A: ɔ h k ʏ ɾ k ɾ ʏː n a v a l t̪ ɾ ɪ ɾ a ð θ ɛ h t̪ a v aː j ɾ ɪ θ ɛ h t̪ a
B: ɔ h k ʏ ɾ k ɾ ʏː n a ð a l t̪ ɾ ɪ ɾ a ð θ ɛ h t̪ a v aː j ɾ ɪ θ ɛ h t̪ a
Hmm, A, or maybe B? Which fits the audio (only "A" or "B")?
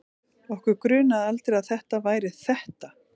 B